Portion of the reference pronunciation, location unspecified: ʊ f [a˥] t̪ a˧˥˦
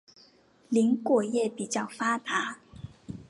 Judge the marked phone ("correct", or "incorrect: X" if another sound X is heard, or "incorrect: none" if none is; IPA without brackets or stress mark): correct